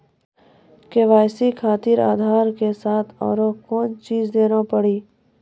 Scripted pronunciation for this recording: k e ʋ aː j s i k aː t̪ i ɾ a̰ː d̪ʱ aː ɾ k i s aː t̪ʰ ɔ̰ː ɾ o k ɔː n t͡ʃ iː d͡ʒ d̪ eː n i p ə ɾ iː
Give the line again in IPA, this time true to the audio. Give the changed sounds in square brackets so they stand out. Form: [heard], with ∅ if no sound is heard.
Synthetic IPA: k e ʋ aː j s i [kʰ] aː t̪ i ɾ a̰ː d̪ʱ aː ɾ k [e] s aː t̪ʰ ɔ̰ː ɾ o k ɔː n t͡ʃ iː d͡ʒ d̪ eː n [a] p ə [ɽ] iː